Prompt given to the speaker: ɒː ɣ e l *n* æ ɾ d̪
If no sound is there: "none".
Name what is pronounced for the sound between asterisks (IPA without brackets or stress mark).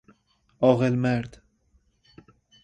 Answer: m